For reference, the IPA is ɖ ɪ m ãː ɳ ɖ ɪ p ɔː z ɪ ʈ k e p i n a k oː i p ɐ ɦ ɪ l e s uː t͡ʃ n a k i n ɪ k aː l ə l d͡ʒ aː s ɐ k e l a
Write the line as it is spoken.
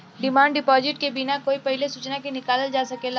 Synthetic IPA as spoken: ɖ ɪ m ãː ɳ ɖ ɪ p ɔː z ɪ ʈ k e b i n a k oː i p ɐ ɦ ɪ l e s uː t͡ʃ n a k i n ɪ k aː l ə l d͡ʒ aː s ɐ k e l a